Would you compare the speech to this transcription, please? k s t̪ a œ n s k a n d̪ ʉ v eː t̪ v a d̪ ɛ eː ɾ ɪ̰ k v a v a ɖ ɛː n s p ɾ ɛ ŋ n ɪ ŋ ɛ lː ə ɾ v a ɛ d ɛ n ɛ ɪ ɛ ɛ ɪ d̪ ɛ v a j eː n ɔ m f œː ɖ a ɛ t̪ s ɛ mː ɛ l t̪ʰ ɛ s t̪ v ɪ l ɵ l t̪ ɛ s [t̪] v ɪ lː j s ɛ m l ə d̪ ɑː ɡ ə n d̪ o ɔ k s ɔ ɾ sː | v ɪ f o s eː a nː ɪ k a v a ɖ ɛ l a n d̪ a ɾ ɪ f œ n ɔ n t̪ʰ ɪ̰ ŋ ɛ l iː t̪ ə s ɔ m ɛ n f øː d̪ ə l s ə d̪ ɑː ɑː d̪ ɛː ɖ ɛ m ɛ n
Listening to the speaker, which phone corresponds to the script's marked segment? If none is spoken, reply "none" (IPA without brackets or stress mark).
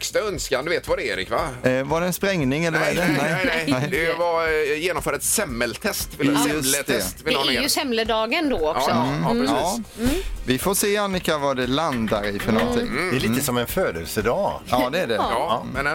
t̪